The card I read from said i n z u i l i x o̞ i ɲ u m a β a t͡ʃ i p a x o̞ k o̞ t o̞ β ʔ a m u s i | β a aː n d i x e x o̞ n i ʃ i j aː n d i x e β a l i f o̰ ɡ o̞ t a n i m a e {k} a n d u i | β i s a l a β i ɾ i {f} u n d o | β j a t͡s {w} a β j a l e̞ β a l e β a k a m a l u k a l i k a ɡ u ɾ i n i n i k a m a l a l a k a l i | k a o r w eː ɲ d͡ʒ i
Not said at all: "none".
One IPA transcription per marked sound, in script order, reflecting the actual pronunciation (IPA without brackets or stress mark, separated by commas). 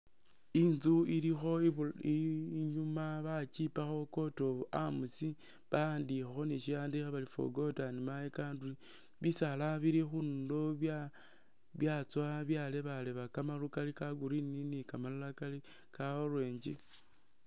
k, x, w